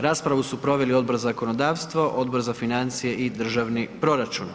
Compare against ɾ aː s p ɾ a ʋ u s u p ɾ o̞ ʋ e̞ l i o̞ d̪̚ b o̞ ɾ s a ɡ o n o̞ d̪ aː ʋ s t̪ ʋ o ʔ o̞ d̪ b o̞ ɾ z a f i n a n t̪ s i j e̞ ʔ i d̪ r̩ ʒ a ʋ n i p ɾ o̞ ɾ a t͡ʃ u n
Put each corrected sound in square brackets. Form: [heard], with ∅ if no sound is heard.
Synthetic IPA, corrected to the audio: ɾ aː s p ɾ a ʋ u s u p ɾ o̞ ʋ e̞ l i o̞ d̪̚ b o̞ ɾ [z] a [k] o n o̞ d̪ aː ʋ s t̪ ʋ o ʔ o̞ d̪ b o̞ ɾ z a f i n a n t̪ s i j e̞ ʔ i d̪ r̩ ʒ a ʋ n i p ɾ o̞ ɾ a t͡ʃ u n

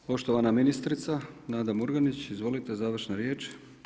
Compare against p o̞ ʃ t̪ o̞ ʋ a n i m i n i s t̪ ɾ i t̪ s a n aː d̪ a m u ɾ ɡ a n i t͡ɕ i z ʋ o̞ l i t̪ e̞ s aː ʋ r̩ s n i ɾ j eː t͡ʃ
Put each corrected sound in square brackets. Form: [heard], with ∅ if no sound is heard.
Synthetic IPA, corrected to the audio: p o̞ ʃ t̪ o̞ ʋ a n [a] m i n i s t̪ ɾ i t̪ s a n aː d̪ a m u ɾ ɡ a n i t͡ɕ i z ʋ o̞ l i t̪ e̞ [z] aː ʋ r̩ [ʃ] n [a] ɾ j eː t͡ʃ

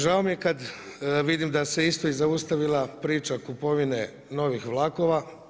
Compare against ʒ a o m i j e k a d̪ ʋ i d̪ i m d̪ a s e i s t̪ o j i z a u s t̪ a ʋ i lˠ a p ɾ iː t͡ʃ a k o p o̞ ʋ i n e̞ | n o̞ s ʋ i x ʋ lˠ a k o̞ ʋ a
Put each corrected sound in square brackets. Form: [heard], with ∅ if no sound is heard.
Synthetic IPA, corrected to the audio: ʒ a o m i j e k a d̪ ʋ i d̪ i m d̪ a s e i s t̪ o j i z a u s t̪ a ʋ i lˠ a p ɾ iː t͡ʃ a k [u] p o̞ ʋ i n e̞ | n o̞ [∅] ʋ i x ʋ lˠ a k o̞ ʋ a

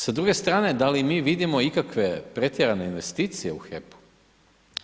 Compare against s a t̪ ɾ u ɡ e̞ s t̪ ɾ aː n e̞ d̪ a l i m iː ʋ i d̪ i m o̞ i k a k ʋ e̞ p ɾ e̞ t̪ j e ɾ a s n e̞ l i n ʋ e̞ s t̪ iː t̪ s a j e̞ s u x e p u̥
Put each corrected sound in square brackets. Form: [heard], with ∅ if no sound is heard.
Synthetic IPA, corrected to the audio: s a [d̪] ɾ u ɡ e̞ s t̪ ɾ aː n e̞ d̪ a l i m iː ʋ i d̪ i m o̞ i k a k ʋ e̞ p ɾ e̞ t̪ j e ɾ a [∅] n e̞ [∅] i n ʋ e̞ s t̪ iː t̪ s [i] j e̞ [∅] u x e p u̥

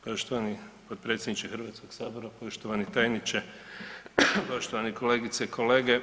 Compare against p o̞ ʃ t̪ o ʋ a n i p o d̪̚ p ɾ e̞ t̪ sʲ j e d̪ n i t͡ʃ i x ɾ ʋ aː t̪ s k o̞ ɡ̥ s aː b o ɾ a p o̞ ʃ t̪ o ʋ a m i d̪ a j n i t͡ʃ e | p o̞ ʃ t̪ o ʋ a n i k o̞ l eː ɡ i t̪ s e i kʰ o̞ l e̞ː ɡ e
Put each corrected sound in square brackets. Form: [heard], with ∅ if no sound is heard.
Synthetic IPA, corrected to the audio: p o̞ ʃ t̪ o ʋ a n i p o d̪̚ p ɾ e̞ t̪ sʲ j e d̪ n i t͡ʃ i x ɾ ʋ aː t̪ s k o̞ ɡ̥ s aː b o ɾ a p o̞ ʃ t̪ o ʋ a [n] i [t̪] a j n i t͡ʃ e | p o̞ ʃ t̪ o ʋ a n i k o̞ l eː ɡ i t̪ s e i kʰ o̞ l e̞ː ɡ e

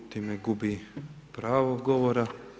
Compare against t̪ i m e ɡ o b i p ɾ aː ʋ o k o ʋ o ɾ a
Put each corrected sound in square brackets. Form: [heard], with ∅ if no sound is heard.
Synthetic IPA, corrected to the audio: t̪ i m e ɡ [u] b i p ɾ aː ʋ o [ɡ] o ʋ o ɾ a

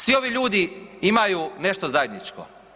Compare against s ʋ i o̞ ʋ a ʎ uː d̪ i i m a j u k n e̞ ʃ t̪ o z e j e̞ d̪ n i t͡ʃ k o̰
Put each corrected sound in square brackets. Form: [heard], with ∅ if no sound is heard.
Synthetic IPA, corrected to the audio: s ʋ i o̞ ʋ [i] ʎ uː d̪ i i m a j u [∅] n e̞ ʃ t̪ o z [a] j e̞ d̪ n i t͡ʃ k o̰

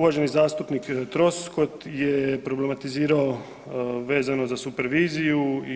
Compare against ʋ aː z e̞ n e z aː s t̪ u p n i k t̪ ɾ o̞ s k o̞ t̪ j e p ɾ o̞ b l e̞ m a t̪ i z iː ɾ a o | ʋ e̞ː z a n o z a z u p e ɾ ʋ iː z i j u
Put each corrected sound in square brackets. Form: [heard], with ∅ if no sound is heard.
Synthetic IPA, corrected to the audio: ʋ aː [ʒ] e̞ n [i] z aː s t̪ u p n i k t̪ ɾ o̞ s k o̞ t̪ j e p ɾ o̞ b l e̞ m a t̪ i z iː ɾ a o | ʋ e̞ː z a n o z a [s] u p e ɾ ʋ iː z i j u

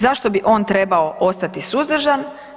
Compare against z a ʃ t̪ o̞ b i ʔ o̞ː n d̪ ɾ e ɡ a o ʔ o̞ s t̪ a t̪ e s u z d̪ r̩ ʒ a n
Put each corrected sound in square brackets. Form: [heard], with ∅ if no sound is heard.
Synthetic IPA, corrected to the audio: z a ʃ t̪ o̞ b i ʔ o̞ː n [t̪] ɾ e [b] a o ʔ o̞ s t̪ a t̪ [i] s u z d̪ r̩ ʒ a n

